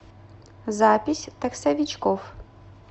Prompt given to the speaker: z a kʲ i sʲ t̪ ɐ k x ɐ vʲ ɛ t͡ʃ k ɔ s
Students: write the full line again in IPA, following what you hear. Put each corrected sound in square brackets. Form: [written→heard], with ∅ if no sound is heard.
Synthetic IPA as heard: z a [kʲ→pʲ] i sʲ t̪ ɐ k [x→s] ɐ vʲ [ɛ→i] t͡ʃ k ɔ [s→f]